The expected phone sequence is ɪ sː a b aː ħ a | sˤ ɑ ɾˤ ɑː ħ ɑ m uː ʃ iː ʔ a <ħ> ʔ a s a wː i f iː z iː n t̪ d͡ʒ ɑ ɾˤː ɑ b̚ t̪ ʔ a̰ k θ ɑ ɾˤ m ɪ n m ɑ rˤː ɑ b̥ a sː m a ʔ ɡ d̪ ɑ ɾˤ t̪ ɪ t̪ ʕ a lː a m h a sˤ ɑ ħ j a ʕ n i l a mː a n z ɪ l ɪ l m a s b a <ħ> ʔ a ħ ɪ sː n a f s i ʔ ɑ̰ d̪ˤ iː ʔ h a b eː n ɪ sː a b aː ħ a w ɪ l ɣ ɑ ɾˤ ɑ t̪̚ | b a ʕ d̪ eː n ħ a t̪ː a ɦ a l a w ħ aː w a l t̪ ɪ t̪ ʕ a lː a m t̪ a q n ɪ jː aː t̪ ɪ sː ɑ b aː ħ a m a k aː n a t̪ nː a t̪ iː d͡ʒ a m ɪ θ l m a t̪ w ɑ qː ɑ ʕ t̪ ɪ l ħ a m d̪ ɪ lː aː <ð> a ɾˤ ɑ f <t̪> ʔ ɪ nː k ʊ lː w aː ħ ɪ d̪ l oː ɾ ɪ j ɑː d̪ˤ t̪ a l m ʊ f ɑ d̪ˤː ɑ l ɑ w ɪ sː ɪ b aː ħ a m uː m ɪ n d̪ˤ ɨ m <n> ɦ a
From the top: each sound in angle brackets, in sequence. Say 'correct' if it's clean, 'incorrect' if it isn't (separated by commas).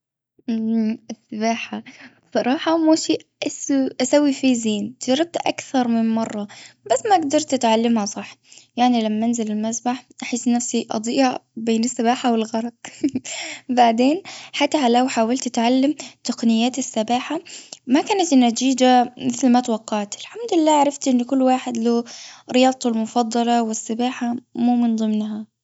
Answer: incorrect, correct, incorrect, correct, correct